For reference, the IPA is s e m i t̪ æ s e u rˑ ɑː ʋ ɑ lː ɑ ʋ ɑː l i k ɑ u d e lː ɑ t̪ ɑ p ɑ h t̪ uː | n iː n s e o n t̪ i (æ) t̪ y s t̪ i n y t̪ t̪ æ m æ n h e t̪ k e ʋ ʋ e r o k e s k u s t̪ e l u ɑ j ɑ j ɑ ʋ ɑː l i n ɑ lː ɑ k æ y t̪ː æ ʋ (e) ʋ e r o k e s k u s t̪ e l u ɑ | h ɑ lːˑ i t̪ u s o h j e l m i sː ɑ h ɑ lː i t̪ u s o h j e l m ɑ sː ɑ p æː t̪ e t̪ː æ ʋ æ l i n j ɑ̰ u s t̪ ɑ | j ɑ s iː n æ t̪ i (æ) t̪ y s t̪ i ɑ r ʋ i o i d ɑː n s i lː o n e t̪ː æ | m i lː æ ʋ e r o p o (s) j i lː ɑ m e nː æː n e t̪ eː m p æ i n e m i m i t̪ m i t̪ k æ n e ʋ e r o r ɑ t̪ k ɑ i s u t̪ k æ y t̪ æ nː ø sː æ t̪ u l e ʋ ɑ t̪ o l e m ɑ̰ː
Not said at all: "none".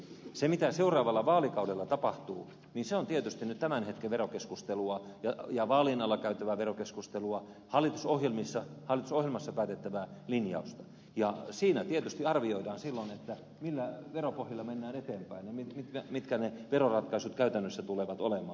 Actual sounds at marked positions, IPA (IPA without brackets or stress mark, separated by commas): e, æ, e, h